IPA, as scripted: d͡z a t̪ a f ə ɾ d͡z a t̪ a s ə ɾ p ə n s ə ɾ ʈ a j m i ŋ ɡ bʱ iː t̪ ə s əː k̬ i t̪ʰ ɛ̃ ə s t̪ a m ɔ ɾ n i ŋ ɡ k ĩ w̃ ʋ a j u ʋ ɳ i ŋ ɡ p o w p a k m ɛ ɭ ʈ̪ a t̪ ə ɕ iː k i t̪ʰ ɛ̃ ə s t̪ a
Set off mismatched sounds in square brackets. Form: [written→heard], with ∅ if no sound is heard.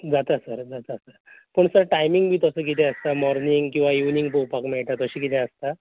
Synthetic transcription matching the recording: d͡z a t̪ a [f→s] ə ɾ d͡z a t̪ a s ə ɾ p ə [n→ɳ] s ə ɾ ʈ a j m i ŋ ɡ bʱ iː t̪ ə s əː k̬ i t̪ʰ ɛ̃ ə s t̪ a m ɔ ɾ n i ŋ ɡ k ĩ w̃ ʋ a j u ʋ [ɳ→n] i ŋ ɡ p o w p a k m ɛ ɭ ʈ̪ a t̪ ə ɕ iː k i t̪ʰ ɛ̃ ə s t̪ a